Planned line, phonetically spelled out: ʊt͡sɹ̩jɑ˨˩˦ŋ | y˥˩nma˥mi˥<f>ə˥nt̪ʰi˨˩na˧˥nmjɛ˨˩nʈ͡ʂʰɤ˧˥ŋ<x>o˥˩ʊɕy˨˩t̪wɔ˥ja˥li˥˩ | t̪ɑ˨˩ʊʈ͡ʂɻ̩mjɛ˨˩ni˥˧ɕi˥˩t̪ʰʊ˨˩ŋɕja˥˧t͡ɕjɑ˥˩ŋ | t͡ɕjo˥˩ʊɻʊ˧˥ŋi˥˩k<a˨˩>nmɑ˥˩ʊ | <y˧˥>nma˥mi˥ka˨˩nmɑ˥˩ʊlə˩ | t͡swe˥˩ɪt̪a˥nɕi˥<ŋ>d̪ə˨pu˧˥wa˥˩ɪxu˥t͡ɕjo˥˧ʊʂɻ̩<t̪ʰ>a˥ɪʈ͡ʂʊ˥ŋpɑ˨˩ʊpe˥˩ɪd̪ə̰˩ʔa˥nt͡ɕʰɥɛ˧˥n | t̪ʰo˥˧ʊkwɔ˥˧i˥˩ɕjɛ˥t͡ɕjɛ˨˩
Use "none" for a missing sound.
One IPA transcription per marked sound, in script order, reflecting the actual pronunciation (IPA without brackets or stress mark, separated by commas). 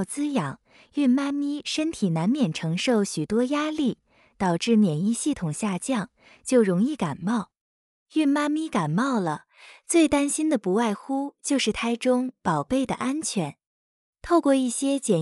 ʂ, ʂ, a˨˩, y˥˩, n, t̪ʰ